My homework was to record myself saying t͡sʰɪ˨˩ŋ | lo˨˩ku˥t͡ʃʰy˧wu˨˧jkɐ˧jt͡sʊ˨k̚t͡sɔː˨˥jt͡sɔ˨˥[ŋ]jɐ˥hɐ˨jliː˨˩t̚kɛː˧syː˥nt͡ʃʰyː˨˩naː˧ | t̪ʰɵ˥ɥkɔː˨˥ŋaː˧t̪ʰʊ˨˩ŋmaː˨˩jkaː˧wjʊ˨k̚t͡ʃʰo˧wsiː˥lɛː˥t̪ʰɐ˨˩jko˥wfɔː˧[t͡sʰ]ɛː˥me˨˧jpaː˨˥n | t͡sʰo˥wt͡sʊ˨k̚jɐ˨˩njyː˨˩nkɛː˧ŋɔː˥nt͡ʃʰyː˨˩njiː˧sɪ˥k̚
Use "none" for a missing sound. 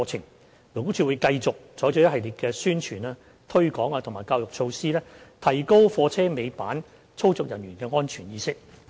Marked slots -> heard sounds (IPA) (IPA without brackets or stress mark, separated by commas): none, t͡sʰ